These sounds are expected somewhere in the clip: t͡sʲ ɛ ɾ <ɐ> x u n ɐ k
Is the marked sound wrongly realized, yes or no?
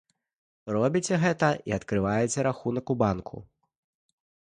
yes